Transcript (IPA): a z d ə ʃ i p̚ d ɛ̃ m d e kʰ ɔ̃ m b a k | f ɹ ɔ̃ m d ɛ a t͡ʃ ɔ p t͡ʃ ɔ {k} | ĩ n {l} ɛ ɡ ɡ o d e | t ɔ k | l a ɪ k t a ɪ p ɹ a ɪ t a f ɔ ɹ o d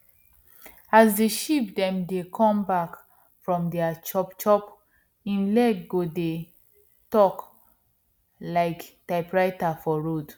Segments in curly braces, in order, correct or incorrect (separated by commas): incorrect, correct